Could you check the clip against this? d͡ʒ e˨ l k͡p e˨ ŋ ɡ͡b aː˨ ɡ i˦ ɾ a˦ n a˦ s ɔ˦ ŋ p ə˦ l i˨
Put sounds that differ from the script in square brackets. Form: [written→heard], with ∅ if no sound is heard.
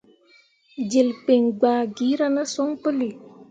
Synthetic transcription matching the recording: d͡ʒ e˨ l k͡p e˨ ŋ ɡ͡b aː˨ ɡ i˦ ɾ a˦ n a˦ s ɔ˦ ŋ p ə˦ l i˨